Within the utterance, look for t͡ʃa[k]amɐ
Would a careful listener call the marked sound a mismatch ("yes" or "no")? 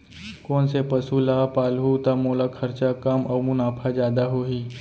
no